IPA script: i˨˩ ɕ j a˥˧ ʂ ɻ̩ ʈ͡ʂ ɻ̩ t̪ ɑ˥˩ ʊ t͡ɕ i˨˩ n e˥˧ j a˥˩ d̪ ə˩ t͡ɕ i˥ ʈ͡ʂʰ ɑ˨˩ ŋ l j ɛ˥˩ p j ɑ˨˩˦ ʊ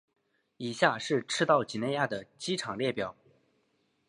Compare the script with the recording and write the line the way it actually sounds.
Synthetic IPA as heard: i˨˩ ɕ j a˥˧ ʂ ɻ̩ ʈ͡ʂʰ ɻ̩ t̪ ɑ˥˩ ʊ t͡ɕ i˨˩ n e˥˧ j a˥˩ d̪ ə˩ t͡ɕ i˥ ʈ͡ʂʰ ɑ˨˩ ŋ l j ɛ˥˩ p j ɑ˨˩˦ ʊ

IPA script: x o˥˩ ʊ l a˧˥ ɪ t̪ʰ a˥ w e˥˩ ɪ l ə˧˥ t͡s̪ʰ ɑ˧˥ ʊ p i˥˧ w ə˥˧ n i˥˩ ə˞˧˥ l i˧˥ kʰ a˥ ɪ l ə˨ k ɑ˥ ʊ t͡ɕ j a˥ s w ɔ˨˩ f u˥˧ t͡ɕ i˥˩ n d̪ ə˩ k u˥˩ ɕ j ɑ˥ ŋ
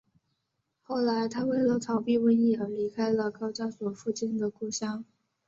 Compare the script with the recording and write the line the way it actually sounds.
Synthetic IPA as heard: x o˥˩ ʊ l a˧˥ ɪ t̪ʰ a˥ w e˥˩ ɪ l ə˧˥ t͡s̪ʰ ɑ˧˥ ʊ p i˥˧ w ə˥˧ n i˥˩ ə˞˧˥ l i˧˥ kʰ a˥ ɪ l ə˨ k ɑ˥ ʊ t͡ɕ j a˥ s w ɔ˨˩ f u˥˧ t͡ɕ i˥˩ n d̪ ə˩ k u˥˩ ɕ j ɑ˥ ŋ

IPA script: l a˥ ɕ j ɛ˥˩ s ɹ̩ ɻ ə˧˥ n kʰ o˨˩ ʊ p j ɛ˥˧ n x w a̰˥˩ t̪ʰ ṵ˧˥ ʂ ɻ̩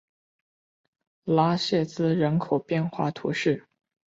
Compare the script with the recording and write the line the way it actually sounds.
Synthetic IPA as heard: l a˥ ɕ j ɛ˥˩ t͡s ɹ̩ ɻ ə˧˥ n kʰ o˨˩ ʊ p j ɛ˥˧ n x w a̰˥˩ t̪ʰ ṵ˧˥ ʂ ɻ̩

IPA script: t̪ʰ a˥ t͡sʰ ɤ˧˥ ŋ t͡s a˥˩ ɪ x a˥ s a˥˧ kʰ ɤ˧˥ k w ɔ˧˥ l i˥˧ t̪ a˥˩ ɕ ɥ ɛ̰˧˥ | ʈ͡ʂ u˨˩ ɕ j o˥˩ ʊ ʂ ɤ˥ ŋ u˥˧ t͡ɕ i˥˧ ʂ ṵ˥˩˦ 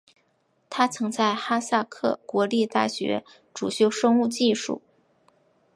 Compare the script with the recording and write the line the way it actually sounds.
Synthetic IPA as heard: t̪ʰ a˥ t͡sʰ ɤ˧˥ ŋ t͡s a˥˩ ɪ x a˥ s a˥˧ kʰ ɤ˥˩ k w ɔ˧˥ l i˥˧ t̪ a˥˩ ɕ ɥ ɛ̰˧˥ | ʈ͡ʂ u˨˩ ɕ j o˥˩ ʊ ʂ ɤ˥ ŋ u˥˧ t͡ɕ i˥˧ ʂ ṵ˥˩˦

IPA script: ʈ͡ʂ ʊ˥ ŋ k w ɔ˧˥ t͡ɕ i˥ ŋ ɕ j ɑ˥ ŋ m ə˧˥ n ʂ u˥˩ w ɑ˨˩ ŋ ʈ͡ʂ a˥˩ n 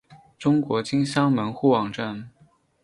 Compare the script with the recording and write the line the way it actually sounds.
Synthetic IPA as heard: ʈ͡ʂ ʊ˥ ŋ k w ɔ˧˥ t͡ɕ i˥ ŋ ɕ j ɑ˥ ŋ m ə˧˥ n x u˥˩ w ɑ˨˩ ŋ ʈ͡ʂ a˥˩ n

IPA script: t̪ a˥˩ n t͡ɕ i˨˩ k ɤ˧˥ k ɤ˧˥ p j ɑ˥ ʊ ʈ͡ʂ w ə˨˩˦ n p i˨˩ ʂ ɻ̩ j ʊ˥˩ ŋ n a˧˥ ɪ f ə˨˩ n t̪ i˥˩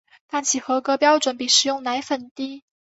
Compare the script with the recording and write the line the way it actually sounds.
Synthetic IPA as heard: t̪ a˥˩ n t͡ɕʰ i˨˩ x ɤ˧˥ k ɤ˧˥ p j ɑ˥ ʊ ʈ͡ʂ w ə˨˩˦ n p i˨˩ ʂ ɻ̩ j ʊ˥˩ ŋ n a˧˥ ɪ f ə˨˩ n t̪ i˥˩

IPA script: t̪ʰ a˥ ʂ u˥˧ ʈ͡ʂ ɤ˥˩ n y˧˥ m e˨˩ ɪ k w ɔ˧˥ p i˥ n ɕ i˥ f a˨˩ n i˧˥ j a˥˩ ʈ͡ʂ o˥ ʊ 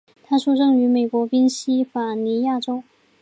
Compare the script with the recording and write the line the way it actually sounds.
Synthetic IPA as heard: t̪ʰ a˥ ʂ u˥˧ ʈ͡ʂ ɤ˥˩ ŋ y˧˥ m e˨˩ ɪ k w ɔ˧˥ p i˥ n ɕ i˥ f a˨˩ n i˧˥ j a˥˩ ʈ͡ʂ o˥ ʊ

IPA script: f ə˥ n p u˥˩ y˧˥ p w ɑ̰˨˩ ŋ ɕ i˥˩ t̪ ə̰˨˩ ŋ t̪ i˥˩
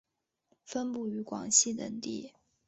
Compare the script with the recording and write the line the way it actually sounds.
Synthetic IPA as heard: f ə˥ n p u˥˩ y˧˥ k w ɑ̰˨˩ ŋ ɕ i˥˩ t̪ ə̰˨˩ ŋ t̪ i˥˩

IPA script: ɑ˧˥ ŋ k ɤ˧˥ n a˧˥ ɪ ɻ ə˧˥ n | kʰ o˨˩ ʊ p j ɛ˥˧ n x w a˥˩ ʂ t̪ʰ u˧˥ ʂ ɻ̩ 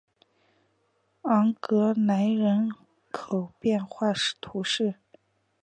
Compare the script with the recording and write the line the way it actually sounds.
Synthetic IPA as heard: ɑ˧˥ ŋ k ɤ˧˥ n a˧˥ ɪ ɻ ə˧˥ n | kʰ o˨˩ ʊ p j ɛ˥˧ n x w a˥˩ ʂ t̪ʰ u˧˥ ʂ ɻ̩

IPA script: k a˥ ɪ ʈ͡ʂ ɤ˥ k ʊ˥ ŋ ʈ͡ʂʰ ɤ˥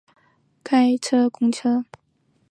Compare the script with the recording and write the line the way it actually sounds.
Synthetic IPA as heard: kʰ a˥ ɪ ʈ͡ʂʰ ɤ˥ k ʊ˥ ŋ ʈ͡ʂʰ ɤ˥

